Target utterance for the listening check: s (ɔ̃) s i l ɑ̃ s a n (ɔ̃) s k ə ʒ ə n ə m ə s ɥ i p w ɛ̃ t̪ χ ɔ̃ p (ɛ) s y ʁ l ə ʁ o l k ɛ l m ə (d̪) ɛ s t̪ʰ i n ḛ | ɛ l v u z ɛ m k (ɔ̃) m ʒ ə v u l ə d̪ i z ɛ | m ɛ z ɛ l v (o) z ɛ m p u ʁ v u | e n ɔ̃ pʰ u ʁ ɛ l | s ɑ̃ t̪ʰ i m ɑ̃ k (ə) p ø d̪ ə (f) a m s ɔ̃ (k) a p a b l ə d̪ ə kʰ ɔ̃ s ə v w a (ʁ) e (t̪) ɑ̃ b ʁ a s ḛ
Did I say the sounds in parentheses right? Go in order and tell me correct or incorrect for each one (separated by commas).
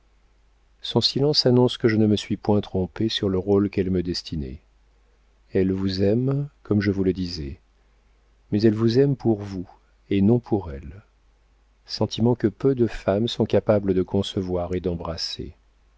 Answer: correct, correct, incorrect, correct, incorrect, incorrect, correct, correct, correct, correct, incorrect